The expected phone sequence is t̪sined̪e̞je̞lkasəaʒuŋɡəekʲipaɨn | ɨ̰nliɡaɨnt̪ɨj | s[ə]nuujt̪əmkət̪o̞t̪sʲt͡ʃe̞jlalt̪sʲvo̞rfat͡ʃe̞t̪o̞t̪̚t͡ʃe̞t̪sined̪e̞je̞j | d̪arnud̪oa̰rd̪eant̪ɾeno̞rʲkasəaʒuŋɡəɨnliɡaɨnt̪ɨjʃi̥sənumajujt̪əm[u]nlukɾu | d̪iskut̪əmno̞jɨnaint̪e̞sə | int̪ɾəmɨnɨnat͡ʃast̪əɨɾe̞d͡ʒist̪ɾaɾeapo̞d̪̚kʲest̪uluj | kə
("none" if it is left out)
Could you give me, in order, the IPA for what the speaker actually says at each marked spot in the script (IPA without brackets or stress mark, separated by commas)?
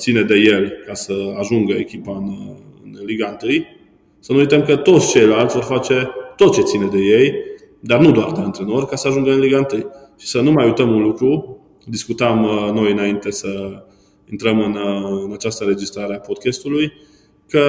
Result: ə, u